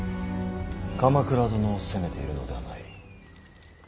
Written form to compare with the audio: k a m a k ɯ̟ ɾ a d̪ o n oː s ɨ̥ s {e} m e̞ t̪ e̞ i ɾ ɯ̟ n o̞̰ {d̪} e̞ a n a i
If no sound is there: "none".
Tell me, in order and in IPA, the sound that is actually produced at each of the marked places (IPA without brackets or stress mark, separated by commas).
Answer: e, d̪